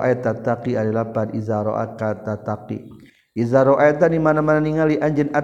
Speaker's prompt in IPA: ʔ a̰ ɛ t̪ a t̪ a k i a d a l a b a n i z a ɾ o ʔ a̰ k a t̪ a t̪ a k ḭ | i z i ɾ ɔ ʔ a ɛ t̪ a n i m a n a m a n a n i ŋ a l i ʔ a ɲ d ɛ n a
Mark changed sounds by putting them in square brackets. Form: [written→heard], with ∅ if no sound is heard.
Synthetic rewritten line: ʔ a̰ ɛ t̪ a t̪ a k i a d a l a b a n i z a ɾ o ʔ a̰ k a t̪ a t̪ a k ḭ | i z [i→a] ɾ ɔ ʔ a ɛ t̪ a n i m a n a m a n a n i ŋ a l i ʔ a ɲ [d→d͡ʒ] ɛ n a